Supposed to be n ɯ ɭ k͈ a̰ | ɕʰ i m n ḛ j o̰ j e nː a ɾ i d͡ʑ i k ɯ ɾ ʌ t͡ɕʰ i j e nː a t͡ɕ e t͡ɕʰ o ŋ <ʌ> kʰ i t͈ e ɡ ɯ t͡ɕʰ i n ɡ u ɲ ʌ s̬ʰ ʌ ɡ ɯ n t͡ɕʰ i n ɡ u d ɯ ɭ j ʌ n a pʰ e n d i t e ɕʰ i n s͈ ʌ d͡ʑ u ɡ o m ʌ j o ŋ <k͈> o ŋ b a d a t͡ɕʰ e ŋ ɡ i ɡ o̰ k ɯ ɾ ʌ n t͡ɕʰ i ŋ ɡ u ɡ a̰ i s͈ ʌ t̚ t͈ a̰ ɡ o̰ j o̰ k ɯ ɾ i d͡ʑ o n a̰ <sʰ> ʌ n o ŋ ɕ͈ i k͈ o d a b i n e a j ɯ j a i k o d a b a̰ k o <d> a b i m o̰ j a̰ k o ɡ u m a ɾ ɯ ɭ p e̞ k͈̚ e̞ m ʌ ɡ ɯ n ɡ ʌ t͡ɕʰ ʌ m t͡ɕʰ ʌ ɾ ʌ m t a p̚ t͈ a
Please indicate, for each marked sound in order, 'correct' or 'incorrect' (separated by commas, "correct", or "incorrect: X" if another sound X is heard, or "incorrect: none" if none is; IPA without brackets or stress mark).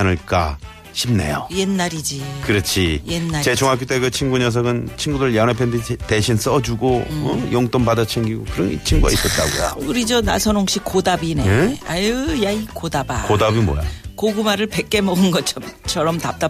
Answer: incorrect: a, incorrect: t͈, correct, correct